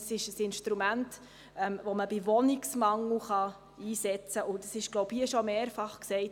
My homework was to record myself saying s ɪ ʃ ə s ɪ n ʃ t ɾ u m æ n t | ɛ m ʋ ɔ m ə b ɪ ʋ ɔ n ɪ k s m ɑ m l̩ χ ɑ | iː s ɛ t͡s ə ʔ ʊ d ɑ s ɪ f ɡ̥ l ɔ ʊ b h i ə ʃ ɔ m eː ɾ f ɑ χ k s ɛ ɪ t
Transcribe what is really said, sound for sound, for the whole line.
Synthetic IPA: s ɪ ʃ ə s ɪ n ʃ t ɾ u m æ n t | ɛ m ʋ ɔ m ə b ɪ ʋ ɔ n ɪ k s m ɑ ŋ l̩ χ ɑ | iː s ɛ t͡s ə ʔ ʊ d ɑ s ɪ ʃ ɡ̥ l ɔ ʊ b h i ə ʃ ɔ m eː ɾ f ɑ χ k s ɛ ɪ t